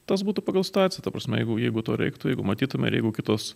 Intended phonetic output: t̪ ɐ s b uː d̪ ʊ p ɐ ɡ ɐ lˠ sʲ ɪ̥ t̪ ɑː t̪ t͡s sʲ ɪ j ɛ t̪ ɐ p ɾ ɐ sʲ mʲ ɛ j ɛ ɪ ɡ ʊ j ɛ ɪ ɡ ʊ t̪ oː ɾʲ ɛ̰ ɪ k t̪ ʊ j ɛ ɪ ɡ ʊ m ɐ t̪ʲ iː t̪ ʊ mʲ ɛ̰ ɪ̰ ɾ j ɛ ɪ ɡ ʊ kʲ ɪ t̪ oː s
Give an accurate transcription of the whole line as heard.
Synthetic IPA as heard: t̪ ɐ s b uː t̪ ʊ p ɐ ɡ ɐ lˠ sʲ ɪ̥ t̪ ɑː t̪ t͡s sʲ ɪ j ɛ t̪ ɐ p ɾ ɐ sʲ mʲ ɛ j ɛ ɪ ɡ ʊ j ɛ ɪ ɡ ʊ t̪ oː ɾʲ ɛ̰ ɪ k t̪ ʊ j ɛ ɪ ɡ ʊ m ɐ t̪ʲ iː t̪ ʊ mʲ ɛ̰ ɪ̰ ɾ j ɛ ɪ ɡ ʊ kʲ ɪ t̪ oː s